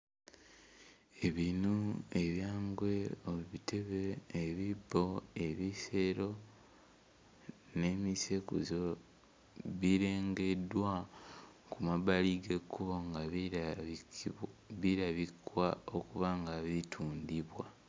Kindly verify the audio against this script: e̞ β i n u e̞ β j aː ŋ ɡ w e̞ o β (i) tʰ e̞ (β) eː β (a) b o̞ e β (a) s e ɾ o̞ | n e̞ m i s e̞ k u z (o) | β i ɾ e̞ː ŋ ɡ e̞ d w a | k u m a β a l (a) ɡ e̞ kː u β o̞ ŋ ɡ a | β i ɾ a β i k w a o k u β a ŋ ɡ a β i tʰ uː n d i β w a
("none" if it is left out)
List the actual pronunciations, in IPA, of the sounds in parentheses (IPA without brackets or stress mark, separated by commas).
i, β, i, i, o, i